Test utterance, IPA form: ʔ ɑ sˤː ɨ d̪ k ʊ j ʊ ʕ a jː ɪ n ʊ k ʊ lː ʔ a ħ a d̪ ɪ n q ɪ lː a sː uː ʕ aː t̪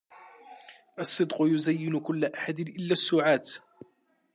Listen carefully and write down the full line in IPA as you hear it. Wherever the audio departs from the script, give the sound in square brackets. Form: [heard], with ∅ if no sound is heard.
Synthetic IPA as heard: ʔ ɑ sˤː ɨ d̪ [q] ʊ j ʊ [z] a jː ɪ n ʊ k ʊ lː ʔ a ħ a d̪ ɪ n [ʔ] ɪ lː a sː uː ʕ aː t̪

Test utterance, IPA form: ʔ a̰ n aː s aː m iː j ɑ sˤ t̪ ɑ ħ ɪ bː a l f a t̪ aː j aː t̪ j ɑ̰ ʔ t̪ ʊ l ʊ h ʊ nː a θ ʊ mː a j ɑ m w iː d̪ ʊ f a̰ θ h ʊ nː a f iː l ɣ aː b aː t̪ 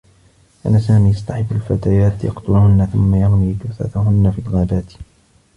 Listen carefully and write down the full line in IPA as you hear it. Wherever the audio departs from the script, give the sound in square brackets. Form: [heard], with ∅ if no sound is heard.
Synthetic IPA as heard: ʔ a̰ n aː s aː m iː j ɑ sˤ t̪ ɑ ħ ɪ bː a l f a t̪ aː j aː t̪ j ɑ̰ [q] t̪ ʊ l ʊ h ʊ nː a θ ʊ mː a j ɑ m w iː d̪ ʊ [θ] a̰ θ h ʊ nː a f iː l ɣ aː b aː t̪

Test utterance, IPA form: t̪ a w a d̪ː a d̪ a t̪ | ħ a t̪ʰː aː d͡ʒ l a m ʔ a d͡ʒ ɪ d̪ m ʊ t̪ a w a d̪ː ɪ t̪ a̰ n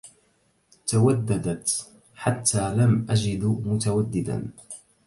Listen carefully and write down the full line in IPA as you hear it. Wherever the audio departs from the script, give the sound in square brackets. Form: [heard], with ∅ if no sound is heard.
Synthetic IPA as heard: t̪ a w a d̪ː a d̪ a t̪ | ħ a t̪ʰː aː [∅] l a m ʔ a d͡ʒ ɪ d̪ m ʊ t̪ a w a d̪ː ɪ [d̪] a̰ n

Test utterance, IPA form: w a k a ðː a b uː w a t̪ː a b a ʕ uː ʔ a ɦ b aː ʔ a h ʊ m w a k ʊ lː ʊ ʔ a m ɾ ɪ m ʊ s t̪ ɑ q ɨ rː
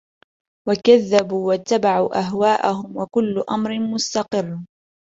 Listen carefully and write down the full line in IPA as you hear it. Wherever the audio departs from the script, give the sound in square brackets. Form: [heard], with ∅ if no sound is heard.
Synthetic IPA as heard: w a k a ðː a b uː w a t̪ː a b a ʕ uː ʔ a ɦ [w] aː ʔ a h ʊ m w a k ʊ lː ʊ ʔ a m ɾ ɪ m ʊ s t̪ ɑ q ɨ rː

